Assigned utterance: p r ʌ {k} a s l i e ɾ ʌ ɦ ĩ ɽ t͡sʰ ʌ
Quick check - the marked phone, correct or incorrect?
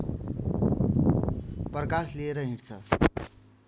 correct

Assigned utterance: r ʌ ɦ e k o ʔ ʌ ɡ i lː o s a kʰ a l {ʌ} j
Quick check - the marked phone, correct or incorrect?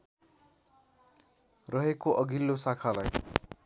incorrect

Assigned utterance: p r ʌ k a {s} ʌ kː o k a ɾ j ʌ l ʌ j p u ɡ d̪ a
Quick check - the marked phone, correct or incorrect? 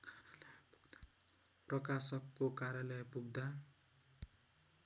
correct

